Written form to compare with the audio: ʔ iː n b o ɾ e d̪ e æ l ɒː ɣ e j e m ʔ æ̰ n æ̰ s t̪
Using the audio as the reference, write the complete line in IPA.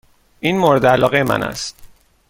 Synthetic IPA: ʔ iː n m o ɾ e d̪ e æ l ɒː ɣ e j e m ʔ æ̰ n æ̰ s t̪